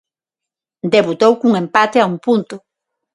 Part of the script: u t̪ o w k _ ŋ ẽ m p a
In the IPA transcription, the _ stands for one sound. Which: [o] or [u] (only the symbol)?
u